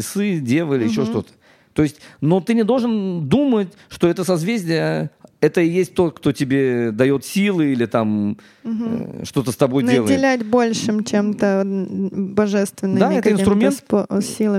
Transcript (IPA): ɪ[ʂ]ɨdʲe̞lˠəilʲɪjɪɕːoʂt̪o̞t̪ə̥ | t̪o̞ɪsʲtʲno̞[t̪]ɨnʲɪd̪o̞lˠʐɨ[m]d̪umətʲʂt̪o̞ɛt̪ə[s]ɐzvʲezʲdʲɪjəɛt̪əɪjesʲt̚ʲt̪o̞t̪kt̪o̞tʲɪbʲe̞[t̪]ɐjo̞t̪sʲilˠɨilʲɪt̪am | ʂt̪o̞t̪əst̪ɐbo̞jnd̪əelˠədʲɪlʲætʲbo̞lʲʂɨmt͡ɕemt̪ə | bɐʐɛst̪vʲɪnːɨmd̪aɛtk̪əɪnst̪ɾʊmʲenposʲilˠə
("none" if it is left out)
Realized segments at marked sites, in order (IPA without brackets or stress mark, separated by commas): s, t̪, n, s, d̪